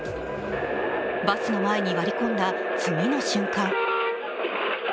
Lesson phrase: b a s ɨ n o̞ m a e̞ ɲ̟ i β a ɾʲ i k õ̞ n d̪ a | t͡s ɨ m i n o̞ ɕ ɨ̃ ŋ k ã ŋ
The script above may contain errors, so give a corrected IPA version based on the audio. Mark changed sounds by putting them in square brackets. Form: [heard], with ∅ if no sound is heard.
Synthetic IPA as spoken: b a s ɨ n o̞ m a e̞ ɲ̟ i β a ɾʲ i k õ̞ n d̪ a | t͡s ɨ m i n o̞ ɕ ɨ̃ ŋ k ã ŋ